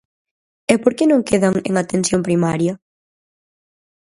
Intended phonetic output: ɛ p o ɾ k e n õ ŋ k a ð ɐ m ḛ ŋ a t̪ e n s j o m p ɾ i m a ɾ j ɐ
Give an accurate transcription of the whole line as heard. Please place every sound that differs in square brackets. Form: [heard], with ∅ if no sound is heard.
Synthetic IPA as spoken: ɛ p o ɾ k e n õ ŋ k [e] ð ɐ [ŋ] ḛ ŋ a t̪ e n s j o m p ɾ i m a ɾ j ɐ